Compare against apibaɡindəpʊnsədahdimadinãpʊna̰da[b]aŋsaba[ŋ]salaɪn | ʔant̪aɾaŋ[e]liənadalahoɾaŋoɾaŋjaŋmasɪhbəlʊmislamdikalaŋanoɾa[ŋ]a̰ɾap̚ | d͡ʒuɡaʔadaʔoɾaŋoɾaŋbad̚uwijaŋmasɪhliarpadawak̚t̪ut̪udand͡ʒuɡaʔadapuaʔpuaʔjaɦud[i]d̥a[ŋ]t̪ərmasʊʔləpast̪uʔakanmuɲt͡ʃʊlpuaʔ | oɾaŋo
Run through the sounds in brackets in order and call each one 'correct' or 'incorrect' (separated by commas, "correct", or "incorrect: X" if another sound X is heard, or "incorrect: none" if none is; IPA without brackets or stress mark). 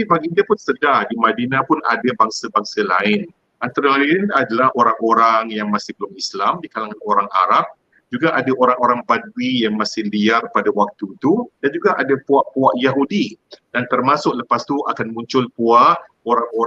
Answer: correct, correct, incorrect: a, correct, correct, incorrect: n